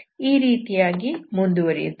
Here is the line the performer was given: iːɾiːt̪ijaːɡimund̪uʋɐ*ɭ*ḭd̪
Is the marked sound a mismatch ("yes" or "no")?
yes